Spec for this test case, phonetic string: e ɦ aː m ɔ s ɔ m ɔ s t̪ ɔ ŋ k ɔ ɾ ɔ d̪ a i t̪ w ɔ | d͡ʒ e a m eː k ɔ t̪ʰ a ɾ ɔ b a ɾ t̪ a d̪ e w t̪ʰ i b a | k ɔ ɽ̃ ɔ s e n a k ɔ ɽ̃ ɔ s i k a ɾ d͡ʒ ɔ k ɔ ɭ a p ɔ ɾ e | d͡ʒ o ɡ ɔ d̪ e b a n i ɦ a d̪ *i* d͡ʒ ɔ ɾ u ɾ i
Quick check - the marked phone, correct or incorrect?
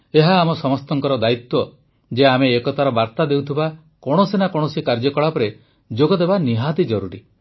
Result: correct